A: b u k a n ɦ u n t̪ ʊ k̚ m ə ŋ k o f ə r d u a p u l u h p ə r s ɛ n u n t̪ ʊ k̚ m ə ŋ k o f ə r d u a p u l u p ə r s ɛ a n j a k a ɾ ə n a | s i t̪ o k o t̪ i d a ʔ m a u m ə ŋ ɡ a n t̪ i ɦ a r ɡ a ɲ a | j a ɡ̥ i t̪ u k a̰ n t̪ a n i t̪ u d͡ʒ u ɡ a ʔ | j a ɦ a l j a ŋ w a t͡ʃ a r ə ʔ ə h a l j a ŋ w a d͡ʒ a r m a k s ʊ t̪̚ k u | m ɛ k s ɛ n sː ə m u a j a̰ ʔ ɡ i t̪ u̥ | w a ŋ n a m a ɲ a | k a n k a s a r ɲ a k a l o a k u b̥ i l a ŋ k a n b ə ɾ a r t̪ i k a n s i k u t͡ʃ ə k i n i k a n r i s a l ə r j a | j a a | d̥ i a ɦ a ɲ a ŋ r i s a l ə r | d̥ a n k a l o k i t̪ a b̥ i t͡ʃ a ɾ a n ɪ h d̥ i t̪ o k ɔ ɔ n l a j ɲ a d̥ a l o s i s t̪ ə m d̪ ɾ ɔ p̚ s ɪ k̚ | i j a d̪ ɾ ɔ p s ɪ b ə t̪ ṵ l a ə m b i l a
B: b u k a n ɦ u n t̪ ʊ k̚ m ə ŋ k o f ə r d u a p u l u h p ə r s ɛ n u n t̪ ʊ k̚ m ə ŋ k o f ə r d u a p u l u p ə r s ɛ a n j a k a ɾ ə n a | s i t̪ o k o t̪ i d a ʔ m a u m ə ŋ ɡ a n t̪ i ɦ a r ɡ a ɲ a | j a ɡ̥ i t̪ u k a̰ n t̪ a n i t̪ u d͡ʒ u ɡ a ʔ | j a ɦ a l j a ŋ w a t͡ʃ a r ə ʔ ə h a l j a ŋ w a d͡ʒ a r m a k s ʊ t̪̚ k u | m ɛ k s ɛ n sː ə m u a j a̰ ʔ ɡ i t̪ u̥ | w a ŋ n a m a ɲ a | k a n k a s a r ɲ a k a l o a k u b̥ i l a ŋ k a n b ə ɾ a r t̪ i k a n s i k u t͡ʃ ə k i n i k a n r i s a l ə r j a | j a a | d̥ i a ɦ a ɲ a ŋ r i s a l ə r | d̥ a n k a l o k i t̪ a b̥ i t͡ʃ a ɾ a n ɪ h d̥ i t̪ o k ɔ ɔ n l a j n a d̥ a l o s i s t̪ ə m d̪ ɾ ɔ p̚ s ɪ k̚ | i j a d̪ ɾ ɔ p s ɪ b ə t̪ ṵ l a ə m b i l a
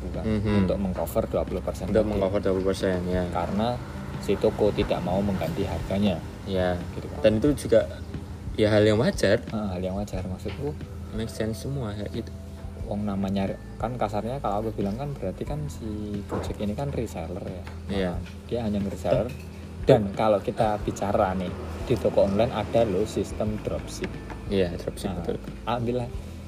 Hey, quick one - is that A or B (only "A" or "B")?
B